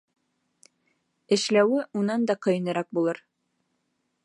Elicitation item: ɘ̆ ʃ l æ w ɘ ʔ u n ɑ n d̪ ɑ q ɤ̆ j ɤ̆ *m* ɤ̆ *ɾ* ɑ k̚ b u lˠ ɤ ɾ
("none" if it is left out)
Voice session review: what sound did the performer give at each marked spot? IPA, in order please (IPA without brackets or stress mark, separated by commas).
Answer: n, ɾ